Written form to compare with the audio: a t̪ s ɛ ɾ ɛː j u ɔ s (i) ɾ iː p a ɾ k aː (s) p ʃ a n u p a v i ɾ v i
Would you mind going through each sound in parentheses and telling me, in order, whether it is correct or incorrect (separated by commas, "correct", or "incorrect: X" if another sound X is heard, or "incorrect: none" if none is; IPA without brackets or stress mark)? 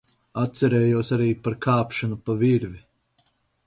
incorrect: a, incorrect: none